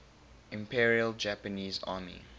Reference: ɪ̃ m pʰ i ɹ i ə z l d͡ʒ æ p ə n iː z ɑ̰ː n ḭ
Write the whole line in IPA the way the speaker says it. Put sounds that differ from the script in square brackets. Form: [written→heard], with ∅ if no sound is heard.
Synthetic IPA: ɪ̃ m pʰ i ɹ i ə [z→∅] l d͡ʒ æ p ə n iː z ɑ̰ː [n→m] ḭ

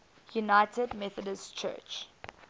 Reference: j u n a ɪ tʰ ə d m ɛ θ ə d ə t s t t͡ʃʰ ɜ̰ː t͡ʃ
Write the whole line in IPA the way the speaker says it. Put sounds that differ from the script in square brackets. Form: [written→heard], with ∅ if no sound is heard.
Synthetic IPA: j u n a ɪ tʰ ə d m ɛ θ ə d ə [t→∅] s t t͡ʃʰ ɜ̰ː t͡ʃ

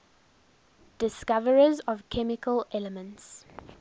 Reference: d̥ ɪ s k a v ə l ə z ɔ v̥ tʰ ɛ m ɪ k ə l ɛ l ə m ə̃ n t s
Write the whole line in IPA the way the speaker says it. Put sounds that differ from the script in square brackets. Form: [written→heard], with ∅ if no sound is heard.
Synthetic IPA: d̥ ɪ s k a v ə [l→ɹ] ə z ɔ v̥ [tʰ→kʰ] ɛ m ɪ k ə l ɛ l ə m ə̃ n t s

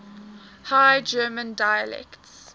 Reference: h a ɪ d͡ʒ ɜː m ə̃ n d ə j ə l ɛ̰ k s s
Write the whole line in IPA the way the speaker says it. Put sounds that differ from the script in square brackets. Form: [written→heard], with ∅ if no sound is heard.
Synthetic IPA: h a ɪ d͡ʒ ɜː m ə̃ n d [ə→a] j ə l ɛ̰ k [s→t] s

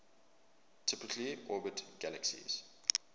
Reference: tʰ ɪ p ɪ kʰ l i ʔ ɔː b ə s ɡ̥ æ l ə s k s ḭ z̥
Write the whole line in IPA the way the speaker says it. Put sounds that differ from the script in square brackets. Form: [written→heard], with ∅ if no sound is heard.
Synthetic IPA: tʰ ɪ p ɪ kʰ l i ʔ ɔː b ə [s→t] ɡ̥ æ l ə [s→∅] k s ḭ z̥

